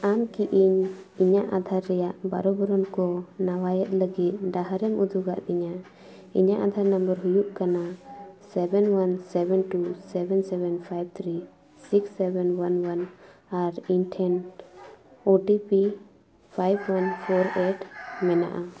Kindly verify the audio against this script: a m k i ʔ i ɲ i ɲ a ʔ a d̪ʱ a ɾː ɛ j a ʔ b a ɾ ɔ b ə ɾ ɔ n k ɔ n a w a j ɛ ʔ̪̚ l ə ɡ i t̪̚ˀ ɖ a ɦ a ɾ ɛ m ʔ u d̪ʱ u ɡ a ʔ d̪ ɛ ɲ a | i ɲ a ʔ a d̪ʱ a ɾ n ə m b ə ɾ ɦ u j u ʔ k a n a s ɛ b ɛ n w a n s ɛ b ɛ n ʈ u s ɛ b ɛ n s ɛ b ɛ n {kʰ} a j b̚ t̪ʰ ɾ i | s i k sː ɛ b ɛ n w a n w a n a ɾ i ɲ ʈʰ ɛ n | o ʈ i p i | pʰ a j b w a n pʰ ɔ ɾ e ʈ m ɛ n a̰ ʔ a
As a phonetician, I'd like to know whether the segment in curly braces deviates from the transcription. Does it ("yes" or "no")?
yes